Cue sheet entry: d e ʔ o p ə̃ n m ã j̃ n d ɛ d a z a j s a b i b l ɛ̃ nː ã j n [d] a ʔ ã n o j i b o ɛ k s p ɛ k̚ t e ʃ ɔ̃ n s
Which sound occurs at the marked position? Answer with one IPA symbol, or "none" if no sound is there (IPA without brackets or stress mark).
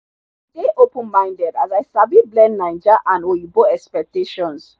d͡ʒ